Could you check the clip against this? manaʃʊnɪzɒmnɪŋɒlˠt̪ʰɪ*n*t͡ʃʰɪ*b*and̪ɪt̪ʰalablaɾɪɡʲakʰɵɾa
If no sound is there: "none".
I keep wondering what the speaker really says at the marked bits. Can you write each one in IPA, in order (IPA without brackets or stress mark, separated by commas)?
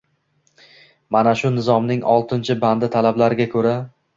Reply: n, b